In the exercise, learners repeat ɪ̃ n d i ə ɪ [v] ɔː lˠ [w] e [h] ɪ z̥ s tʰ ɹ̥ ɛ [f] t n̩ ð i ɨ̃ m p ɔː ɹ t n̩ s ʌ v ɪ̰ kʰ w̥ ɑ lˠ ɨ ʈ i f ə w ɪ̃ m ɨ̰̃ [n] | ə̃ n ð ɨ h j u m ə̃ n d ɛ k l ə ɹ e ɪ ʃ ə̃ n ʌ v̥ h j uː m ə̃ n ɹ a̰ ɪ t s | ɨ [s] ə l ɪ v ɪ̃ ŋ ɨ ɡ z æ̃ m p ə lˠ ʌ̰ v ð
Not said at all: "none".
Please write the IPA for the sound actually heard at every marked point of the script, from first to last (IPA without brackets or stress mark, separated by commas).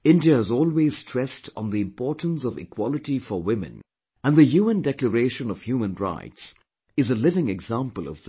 z, w, none, s, n, z